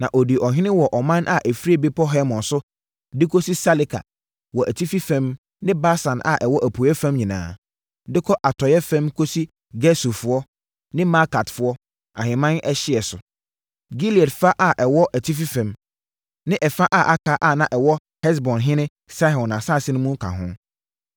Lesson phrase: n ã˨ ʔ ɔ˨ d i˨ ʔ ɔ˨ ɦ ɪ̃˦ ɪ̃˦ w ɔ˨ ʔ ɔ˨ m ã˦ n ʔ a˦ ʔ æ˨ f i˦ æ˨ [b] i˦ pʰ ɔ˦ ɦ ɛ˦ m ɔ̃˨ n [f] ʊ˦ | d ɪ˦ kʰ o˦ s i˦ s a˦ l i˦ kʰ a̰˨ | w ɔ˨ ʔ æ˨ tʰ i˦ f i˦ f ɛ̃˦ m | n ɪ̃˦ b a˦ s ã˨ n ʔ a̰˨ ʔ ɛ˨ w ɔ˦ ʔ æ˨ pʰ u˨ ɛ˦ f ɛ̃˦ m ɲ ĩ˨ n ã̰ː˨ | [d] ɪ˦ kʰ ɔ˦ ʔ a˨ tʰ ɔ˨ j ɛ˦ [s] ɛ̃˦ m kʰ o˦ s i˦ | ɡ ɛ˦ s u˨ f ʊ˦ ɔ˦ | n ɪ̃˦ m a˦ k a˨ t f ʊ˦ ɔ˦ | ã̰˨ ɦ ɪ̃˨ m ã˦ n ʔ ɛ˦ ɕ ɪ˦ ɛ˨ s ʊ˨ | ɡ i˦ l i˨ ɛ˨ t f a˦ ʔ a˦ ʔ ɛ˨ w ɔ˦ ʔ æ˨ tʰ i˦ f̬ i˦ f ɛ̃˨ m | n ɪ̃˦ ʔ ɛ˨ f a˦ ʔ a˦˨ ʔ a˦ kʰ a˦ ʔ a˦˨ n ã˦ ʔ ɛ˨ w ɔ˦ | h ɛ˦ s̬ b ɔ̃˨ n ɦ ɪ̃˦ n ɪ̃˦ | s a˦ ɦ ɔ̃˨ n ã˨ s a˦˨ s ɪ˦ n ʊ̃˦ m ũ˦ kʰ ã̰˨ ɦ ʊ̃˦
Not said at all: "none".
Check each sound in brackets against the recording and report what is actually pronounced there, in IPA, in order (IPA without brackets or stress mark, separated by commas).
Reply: b, s, d, f